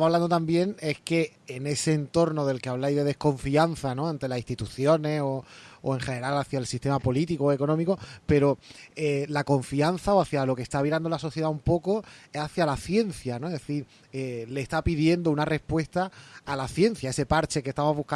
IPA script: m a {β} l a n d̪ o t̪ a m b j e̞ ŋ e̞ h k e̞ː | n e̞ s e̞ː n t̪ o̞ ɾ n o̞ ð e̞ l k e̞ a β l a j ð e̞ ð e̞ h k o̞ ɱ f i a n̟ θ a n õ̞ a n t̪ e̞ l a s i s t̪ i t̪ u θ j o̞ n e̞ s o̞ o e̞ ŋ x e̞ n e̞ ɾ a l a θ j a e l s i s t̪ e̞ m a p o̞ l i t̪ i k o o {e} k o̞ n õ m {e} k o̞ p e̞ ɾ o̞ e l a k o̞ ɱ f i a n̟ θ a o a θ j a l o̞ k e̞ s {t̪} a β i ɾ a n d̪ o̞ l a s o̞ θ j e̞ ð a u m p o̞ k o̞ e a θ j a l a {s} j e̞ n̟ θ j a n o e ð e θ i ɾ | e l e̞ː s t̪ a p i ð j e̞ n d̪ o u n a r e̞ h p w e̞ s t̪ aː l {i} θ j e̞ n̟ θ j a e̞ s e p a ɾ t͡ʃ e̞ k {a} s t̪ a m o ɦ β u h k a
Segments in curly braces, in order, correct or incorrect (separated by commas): correct, correct, incorrect, correct, incorrect, incorrect, incorrect